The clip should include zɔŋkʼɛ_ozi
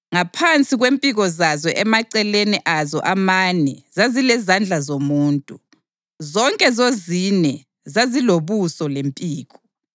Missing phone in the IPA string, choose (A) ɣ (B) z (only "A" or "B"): B